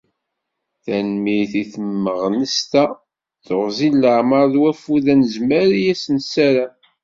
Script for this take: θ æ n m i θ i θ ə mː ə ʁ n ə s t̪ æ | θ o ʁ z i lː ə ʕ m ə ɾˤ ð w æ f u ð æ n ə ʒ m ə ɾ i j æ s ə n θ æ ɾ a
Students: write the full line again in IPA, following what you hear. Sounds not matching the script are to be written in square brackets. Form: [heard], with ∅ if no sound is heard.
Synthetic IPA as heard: θ æ n m i θ i θ ə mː ə ʁ n ə s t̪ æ | θ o ʁ z i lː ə ʕ m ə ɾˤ ð w æ f u ð æ n ə [z] m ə ɾ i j æ s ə n [s] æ ɾ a